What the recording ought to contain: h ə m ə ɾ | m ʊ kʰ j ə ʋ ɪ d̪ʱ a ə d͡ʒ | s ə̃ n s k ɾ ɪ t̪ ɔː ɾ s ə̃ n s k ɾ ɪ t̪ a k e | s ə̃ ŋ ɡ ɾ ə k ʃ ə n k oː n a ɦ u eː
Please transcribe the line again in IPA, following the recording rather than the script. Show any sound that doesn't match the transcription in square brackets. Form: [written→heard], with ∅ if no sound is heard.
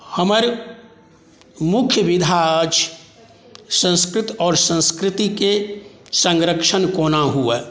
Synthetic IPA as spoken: h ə m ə ɾ | m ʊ kʰ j ə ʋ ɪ d̪ʱ a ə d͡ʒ | s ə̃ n s k ɾ ɪ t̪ ɔː ɾ s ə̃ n s k ɾ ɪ t̪ [a→i] k e | s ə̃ ŋ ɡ ɾ ə k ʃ ə n k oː n a ɦ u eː